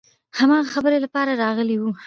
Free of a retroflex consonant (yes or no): yes